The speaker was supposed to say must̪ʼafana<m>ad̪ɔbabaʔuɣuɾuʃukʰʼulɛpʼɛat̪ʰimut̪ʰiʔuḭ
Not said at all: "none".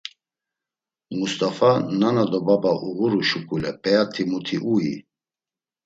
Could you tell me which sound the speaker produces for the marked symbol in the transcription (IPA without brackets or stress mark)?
n